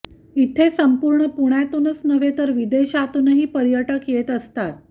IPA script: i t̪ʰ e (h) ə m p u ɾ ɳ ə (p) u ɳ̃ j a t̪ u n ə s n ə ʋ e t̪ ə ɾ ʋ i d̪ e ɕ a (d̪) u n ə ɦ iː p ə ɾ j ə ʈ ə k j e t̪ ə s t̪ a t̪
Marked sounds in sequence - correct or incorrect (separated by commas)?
incorrect, correct, incorrect